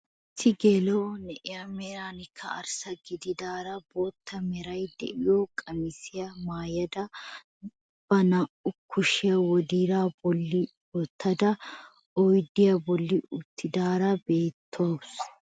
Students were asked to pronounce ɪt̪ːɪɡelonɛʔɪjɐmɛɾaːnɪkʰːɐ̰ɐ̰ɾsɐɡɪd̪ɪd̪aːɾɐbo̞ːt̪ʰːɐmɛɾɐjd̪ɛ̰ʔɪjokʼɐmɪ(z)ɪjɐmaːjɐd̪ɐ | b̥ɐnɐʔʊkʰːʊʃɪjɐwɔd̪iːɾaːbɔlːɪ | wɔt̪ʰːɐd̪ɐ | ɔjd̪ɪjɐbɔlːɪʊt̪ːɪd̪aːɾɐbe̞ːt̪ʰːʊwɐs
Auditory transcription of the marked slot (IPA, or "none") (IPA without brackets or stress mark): s